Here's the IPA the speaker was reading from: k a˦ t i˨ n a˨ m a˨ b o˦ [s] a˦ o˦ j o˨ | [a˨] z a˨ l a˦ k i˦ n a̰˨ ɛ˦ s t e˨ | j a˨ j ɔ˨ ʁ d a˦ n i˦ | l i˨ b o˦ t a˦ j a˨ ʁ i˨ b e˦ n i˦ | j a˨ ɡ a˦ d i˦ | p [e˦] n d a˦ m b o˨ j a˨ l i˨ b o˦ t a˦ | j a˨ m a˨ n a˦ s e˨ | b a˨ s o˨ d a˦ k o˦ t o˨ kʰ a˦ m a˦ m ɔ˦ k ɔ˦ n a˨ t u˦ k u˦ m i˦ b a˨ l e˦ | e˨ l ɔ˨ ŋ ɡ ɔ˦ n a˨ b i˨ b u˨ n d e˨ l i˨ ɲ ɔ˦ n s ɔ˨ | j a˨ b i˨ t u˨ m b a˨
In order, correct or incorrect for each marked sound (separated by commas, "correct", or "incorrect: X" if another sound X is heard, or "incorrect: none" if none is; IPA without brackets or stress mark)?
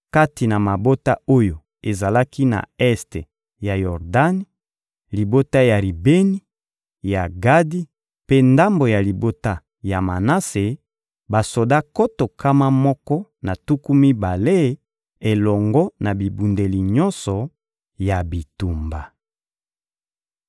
incorrect: t, incorrect: e˨, correct